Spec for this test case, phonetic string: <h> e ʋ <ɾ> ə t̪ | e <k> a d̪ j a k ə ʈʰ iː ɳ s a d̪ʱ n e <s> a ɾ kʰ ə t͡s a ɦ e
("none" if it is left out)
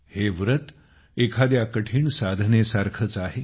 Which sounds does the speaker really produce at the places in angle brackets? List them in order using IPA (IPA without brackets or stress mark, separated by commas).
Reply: h, ɾ, kʰ, s